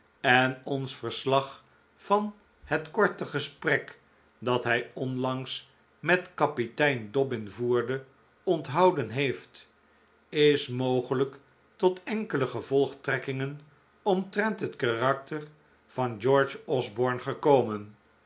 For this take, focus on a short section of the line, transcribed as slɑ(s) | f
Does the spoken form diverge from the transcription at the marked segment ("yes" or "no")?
yes